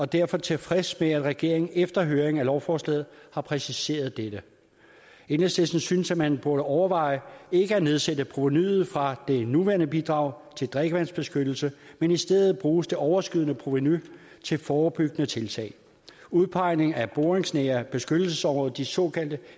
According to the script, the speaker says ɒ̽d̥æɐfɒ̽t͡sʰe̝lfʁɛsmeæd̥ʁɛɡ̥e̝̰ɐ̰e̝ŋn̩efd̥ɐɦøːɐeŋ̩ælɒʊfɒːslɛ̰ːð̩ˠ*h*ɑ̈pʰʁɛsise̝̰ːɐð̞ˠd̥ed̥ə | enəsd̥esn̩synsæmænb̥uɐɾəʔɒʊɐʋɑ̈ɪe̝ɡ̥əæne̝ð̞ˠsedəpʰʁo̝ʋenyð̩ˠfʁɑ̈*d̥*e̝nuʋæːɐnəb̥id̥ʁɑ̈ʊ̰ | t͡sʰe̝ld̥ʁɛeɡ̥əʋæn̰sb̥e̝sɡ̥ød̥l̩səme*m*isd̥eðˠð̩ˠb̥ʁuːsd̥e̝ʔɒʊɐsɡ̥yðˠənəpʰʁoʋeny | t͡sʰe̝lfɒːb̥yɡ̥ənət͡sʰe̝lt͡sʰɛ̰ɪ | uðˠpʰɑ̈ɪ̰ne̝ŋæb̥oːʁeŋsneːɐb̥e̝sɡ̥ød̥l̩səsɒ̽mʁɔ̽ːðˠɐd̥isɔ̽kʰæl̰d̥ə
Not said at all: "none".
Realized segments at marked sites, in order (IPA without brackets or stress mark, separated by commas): h, d̥, n